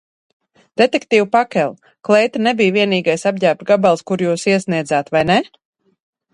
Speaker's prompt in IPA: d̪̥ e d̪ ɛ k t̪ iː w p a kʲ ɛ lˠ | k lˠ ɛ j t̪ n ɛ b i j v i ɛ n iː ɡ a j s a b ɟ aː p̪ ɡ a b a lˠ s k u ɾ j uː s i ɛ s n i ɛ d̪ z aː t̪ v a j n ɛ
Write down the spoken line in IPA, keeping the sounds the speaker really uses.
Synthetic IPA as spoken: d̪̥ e t̪ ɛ k t̪ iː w p a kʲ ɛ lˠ | k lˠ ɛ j t̪ n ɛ b i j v i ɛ n iː ɡ a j s a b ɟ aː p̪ ɡ a b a lˠ s k u ɾ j uː s i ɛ s n i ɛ d̪ z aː t̪ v a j n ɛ